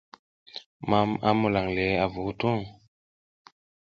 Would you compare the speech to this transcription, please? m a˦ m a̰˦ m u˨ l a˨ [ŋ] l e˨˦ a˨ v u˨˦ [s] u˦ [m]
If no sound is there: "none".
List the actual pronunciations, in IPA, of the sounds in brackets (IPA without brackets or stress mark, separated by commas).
ŋ, t, ŋ